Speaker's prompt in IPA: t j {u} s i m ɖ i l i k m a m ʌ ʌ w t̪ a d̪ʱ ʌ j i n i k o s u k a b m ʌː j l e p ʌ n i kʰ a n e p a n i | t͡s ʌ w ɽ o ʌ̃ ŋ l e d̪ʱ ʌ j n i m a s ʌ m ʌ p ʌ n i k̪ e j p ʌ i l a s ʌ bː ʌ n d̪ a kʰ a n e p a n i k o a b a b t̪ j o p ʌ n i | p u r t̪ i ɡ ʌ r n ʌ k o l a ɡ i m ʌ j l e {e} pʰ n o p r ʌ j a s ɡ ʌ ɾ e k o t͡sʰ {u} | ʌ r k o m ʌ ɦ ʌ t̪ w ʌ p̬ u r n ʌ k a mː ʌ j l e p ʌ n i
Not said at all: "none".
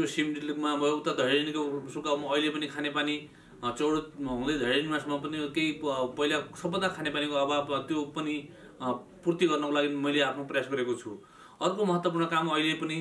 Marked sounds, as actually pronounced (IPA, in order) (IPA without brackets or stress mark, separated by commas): o, a, u